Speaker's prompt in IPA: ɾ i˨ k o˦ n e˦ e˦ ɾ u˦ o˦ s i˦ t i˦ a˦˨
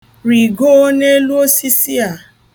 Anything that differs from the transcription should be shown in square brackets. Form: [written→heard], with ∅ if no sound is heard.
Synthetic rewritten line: ɾ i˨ [k→ɡ] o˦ n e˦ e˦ [ɾ→l] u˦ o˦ s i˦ [t→s] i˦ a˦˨